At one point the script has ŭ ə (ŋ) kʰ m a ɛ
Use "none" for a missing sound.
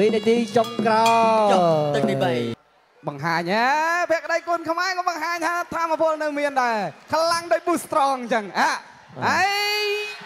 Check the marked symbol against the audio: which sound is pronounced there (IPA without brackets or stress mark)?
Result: n